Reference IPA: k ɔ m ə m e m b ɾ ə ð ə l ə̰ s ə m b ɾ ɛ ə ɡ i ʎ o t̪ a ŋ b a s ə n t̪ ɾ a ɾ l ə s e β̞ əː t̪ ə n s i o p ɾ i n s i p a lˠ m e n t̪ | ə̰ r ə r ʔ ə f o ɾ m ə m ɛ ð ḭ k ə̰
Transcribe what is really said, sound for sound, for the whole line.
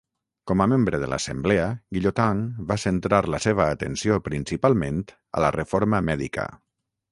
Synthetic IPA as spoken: k ɔ m ə m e m b ɾ ə ð ə l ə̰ s ə m b l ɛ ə ɡ i ʎ o t̪ a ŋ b a s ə n t̪ ɾ a ɾ l ə s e β̞ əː t̪ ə n s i o p ɾ i n s i p a lˠ m e n t̪ | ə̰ l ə r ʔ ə f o ɾ m ə m ɛ ð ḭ k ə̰